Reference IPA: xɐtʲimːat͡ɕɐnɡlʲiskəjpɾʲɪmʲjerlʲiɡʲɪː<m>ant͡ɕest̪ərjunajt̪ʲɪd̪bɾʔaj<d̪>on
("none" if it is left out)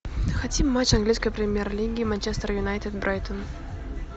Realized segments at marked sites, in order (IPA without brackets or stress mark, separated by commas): m, t̪